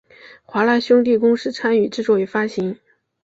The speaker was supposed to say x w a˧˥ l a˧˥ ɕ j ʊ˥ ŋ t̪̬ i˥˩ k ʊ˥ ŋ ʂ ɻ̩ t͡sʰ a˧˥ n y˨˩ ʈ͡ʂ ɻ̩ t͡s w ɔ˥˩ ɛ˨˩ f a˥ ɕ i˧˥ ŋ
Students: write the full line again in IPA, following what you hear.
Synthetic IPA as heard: x w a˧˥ l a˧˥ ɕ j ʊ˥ ŋ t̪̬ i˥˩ k ʊ˥ ŋ ʂ ɻ̩ t͡sʰ a˥ n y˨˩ ʈ͡ʂ ɻ̩ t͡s w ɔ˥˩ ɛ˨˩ f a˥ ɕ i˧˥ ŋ